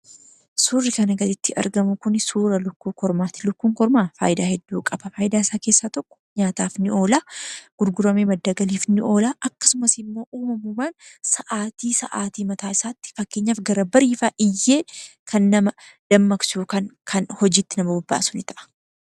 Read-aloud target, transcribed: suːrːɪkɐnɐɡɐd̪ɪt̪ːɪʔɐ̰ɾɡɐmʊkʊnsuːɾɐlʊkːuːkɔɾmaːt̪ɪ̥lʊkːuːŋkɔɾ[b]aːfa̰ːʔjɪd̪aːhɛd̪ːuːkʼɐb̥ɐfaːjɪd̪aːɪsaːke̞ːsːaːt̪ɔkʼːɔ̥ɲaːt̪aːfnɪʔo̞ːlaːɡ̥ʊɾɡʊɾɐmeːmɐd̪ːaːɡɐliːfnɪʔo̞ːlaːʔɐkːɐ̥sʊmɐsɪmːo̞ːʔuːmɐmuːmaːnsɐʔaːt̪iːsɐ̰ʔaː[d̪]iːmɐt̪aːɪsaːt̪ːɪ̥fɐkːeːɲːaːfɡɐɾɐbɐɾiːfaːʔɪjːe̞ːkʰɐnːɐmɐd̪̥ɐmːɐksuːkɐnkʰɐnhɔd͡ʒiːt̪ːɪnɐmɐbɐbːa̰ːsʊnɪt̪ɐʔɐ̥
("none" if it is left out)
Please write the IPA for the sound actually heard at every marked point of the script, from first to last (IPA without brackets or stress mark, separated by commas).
m, t̪